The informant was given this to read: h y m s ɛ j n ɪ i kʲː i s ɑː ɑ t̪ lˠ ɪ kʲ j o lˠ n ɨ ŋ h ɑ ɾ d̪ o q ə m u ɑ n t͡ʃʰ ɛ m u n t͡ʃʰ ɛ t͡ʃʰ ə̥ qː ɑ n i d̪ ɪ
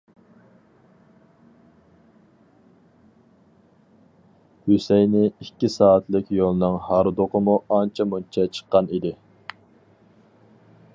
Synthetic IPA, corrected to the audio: h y s ɛ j n ɪ i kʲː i s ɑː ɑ t̪ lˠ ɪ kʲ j o lˠ n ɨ ŋ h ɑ ɾ d̪ o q ə m u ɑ n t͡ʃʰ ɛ m u n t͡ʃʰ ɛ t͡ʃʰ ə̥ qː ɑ n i d̪ ɪ